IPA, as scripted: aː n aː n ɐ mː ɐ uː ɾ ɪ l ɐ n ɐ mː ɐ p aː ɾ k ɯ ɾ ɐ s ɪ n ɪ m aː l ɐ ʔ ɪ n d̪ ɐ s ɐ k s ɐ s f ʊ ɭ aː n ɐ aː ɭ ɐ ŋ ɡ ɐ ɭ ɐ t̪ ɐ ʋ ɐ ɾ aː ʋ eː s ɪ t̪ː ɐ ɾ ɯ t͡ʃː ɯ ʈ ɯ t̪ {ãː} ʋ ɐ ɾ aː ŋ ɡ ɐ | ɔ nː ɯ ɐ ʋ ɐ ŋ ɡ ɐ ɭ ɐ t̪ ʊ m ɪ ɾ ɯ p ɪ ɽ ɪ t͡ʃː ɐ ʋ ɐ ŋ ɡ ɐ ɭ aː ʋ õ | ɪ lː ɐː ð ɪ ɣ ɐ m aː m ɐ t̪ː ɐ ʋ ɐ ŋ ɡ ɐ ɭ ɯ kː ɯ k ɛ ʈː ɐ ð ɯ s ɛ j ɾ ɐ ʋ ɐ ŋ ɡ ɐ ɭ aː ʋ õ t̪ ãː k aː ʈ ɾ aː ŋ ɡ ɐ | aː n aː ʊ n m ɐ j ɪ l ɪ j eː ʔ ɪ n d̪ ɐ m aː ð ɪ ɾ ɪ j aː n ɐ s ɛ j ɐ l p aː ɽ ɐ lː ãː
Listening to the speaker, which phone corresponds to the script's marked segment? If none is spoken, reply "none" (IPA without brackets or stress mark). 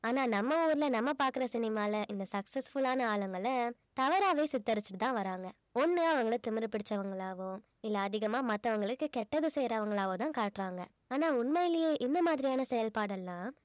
ãː